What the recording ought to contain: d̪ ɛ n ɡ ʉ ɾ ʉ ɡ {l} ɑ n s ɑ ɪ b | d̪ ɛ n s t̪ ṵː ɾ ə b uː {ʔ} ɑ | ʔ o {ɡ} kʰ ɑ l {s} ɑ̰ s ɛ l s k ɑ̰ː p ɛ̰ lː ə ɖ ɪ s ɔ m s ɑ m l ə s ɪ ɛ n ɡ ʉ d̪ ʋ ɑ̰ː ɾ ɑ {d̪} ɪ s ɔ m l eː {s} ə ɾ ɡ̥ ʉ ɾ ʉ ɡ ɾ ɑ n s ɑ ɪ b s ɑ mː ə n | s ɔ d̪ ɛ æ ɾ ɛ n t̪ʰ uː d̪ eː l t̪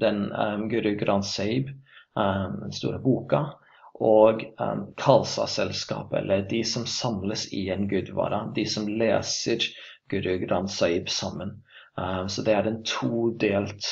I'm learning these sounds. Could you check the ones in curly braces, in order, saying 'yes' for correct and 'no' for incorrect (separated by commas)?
no, no, yes, yes, yes, yes